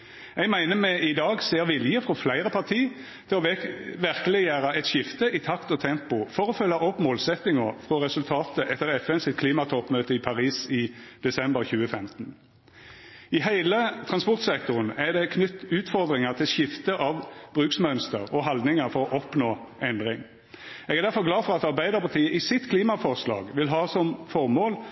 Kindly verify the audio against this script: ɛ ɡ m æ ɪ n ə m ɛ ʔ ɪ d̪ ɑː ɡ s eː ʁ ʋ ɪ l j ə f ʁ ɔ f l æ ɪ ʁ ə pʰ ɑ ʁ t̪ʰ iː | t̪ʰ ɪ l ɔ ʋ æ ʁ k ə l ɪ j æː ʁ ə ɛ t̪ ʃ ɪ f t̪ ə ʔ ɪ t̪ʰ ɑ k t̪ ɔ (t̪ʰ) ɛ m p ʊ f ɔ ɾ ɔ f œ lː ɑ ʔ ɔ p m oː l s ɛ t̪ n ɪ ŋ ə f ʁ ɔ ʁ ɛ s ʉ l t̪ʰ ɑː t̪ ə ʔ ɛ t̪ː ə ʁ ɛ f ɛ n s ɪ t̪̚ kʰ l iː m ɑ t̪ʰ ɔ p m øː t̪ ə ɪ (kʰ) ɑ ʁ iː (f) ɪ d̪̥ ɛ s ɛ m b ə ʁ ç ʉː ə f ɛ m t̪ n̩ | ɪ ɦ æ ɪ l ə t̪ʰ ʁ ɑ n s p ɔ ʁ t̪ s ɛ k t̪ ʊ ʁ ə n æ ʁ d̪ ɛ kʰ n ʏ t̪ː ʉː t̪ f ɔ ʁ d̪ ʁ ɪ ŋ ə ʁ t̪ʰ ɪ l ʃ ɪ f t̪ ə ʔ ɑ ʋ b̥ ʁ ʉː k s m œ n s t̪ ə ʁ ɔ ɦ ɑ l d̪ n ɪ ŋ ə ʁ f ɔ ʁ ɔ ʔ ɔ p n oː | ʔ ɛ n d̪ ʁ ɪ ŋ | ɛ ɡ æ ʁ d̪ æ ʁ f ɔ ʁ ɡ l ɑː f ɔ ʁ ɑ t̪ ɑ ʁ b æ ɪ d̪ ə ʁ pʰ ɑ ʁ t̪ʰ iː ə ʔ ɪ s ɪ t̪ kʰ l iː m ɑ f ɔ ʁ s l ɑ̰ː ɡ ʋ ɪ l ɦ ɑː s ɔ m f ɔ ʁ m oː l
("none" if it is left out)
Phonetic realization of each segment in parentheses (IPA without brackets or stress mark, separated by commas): t̪ʰ, pʰ, s